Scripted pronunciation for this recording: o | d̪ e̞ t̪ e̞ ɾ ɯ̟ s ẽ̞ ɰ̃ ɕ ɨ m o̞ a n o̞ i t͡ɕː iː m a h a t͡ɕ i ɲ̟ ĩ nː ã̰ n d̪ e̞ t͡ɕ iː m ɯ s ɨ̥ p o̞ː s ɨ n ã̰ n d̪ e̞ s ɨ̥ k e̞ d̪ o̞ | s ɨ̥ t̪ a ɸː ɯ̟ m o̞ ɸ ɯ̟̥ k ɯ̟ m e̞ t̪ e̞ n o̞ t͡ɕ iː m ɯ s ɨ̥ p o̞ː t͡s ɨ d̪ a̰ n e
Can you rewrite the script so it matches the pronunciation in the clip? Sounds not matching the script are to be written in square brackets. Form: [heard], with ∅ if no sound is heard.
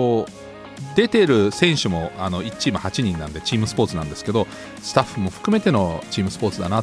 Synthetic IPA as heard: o | d̪ e̞ t̪ e̞ ɾ ɯ̟ s ẽ̞ ɰ̃ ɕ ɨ m o̞ a n o̞ i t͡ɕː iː m a h a t͡ɕ i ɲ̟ ĩ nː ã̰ n d̪ e̞ t͡ɕ iː m ɯ s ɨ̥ p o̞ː [t͡s] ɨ n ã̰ n d̪ e̞ s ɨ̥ k e̞ d̪ o̞ | s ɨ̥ t̪ a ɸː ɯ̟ m o̞ ɸ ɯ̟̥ k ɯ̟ m e̞ t̪ e̞ n o̞ t͡ɕ iː m ɯ s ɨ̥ p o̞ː t͡s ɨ d̪ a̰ n [a]